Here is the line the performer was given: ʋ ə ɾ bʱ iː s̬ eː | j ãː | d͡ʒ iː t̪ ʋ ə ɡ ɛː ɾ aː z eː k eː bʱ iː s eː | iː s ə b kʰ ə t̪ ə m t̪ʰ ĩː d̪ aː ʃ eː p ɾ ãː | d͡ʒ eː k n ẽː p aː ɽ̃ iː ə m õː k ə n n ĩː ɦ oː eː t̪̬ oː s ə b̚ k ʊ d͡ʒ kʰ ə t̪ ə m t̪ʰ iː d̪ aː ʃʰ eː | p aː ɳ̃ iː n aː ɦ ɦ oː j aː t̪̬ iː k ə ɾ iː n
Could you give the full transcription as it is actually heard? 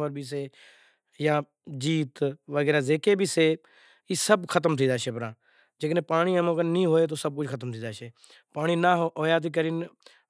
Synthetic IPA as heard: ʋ ə ɾ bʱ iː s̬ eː | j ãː | d͡ʒ iː t̪ ʋ ə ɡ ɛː ɾ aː z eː k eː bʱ iː s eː | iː s ə b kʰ ə t̪ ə m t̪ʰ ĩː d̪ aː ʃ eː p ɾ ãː | d͡ʒ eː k n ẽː p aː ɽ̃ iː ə m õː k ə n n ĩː ɦ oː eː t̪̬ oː s ə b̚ k ʊ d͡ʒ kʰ ə t̪ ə m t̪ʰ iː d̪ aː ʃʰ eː | p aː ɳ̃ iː n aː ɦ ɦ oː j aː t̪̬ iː k ə ɾ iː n